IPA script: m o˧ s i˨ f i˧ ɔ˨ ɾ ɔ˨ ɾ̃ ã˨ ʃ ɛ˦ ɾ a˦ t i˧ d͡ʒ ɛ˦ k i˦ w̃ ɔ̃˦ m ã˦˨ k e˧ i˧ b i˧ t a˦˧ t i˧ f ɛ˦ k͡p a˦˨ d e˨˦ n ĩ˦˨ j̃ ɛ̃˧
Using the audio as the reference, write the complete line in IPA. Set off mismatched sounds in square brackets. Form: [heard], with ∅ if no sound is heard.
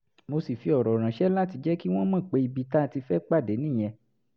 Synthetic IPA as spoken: m o˧ s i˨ f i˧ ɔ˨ ɾ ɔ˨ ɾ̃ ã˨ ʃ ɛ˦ [l] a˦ t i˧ d͡ʒ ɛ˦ k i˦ w̃ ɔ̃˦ m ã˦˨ [k͡p] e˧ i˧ b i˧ t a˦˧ t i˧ f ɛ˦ k͡p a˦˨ d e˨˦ n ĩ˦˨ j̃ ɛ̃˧